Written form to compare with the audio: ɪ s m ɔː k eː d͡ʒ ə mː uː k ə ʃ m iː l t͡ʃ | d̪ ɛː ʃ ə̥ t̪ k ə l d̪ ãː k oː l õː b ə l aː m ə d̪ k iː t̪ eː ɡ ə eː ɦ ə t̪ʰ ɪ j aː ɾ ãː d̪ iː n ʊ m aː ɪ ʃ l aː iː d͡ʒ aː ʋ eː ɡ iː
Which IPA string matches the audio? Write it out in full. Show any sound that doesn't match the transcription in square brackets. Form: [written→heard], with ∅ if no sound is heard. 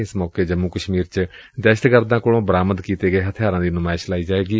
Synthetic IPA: ɪ s m ɔː k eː d͡ʒ ə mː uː k ə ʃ m iː [l→ɾ] t͡ʃ | d̪ ɛː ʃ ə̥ t̪ k ə [l→ɾ] d̪ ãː k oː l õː b ə [l→ɾ] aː m ə d̪ k iː t̪ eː ɡ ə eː ɦ ə t̪ʰ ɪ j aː ɾ ãː d̪ iː n ʊ m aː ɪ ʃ l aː iː d͡ʒ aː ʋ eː ɡ iː